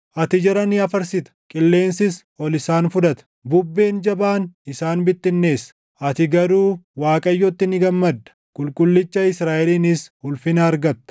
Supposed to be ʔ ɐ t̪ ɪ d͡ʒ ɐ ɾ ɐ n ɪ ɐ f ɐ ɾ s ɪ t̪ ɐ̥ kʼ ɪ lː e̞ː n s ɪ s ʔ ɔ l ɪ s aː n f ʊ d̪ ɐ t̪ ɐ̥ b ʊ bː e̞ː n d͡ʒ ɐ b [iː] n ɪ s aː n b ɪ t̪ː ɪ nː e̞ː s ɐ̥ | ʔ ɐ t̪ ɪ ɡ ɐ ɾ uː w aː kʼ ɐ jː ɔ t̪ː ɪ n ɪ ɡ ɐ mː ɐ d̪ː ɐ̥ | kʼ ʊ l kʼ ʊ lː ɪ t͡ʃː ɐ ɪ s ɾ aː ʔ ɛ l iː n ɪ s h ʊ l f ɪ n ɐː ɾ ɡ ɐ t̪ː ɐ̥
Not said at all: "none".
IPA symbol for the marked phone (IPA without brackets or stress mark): aː